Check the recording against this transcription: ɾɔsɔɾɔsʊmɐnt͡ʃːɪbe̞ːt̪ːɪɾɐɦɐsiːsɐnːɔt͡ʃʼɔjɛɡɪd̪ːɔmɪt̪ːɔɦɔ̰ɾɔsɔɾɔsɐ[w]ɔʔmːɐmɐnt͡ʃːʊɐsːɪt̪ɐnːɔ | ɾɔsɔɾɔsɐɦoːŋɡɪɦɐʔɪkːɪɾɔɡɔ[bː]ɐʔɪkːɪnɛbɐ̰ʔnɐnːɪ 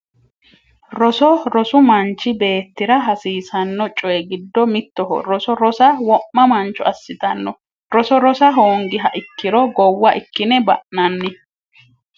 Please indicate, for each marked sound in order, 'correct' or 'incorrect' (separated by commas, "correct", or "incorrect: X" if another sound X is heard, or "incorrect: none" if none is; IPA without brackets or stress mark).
correct, incorrect: wː